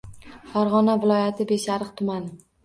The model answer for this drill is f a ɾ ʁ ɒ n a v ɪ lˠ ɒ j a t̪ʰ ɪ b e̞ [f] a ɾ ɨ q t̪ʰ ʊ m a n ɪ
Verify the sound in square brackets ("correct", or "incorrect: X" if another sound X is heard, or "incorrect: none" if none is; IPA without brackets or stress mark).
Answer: incorrect: ʃ